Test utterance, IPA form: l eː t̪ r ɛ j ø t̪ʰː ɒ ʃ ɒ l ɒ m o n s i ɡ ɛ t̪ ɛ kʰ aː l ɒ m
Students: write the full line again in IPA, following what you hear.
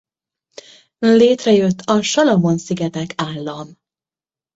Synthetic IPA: l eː t̪ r ɛ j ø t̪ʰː ɒ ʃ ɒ l ɒ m o n s i ɡ ɛ t̪ ɛ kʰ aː lː ɒ m